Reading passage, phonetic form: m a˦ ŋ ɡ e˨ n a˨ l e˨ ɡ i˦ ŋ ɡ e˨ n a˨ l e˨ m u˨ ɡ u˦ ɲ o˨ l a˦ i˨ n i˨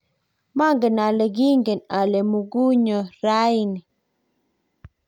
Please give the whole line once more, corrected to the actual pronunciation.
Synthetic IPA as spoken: m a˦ ŋ ɡ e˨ n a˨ l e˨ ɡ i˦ ŋ ɡ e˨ n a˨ l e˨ m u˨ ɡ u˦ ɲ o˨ ɾ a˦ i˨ n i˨